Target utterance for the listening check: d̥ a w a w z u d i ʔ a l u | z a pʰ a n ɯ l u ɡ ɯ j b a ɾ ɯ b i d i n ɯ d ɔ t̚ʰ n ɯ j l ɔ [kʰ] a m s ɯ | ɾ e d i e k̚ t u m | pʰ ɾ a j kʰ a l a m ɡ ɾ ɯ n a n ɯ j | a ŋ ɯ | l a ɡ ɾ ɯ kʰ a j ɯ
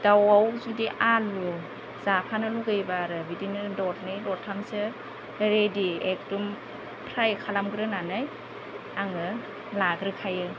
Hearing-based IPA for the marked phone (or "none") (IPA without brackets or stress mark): tʰ